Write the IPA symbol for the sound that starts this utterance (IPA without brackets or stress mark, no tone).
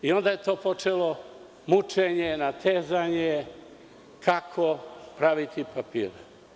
i